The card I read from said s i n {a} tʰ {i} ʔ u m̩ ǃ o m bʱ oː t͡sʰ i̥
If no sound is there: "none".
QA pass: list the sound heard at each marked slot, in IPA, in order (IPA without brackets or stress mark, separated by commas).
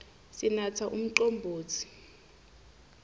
a, a